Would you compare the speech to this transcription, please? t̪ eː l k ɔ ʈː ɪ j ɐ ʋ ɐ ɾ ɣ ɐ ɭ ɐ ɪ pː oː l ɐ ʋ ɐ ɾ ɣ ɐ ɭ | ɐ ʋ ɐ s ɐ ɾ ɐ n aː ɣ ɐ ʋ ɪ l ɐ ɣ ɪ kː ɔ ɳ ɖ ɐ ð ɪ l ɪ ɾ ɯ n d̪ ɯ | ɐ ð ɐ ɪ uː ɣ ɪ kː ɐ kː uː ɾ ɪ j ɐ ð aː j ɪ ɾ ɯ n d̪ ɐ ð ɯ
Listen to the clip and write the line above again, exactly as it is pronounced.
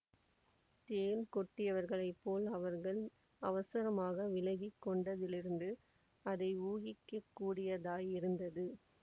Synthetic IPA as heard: t̪ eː l k ɔ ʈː ɪ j ɐ ʋ ɐ ɾ ɣ ɐ ɭ ɐ ɪ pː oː l ɐ ʋ ɐ ɾ ɣ ɐ ɭ | ɐ ʋ ɐ s ɐ ɾ ɐ m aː ɣ ɐ ʋ ɪ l ɐ ɣ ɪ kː ɔ ɳ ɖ ɐ ð ɪ l ɪ ɾ ɯ n d̪ ɯ | ɐ ð ɐ ɪ uː ɣ ɪ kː ɐ kː uː ɽ ɪ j ɐ ð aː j ɪ ɾ ɯ n d̪ ɐ ð ɯ